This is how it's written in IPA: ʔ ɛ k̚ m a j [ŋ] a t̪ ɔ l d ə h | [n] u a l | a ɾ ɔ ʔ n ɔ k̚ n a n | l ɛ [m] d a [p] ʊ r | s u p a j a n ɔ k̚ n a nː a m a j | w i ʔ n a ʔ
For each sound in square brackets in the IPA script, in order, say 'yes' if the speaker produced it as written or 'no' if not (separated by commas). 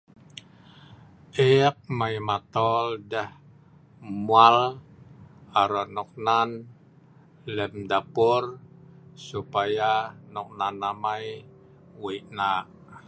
no, no, yes, yes